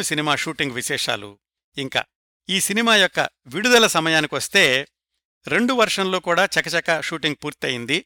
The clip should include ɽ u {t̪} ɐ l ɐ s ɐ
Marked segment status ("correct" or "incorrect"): incorrect